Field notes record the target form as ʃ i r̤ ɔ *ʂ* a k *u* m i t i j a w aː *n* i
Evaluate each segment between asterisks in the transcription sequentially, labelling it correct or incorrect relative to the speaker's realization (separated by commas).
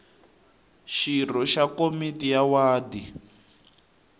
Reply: incorrect, incorrect, incorrect